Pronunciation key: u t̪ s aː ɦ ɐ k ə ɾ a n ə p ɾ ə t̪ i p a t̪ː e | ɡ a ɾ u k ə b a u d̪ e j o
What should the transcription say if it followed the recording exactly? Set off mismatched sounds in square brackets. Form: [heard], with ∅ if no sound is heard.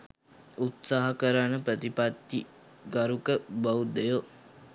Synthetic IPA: u t̪ s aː ɦ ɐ k ə ɾ a n ə p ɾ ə t̪ i p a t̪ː [i] | ɡ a ɾ u k ə b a u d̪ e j o